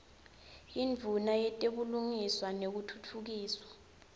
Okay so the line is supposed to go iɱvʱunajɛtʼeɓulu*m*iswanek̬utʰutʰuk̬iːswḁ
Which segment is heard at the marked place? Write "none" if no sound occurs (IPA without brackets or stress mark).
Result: ŋ